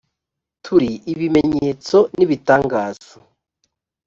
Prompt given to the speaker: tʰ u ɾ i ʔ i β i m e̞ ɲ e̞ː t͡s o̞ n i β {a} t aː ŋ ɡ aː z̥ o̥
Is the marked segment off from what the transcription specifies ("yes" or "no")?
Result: yes